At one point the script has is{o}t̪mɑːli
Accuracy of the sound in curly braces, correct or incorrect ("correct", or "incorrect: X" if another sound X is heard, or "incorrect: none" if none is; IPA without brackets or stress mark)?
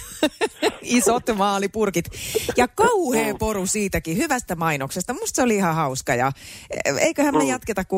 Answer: correct